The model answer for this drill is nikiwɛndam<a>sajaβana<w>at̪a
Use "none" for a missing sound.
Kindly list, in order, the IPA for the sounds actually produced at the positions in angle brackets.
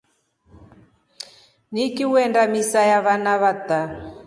i, β

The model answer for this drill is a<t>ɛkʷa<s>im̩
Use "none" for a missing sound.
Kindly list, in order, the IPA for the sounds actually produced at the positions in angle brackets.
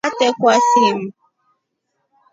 t, s

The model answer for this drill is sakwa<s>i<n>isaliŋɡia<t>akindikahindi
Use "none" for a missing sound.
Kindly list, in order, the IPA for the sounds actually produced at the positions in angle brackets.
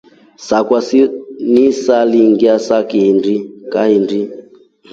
s, n, s

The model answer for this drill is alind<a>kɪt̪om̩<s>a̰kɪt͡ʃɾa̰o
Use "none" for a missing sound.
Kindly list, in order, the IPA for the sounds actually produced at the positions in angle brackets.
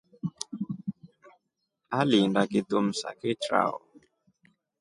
a, s

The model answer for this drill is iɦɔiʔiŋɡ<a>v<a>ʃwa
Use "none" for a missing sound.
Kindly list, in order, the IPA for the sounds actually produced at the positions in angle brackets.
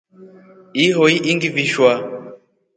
i, i

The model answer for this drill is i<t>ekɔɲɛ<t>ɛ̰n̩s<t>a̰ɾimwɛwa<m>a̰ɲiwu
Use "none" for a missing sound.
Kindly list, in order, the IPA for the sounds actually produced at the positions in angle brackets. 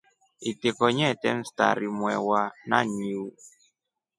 t, t, t, n

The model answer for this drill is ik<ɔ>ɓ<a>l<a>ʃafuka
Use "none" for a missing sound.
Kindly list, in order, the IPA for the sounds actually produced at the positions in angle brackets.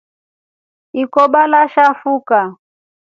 ɔ, a, a

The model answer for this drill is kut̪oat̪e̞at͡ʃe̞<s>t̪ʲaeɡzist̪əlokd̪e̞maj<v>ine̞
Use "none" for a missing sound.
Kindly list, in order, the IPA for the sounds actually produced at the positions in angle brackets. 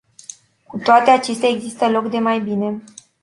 s, b

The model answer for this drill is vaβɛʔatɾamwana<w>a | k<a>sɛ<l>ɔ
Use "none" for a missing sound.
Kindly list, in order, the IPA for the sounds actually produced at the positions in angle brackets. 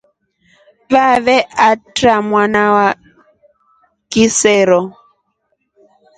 w, i, ɾ

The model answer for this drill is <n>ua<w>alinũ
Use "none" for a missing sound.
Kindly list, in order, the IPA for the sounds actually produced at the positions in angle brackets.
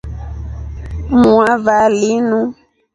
m, v

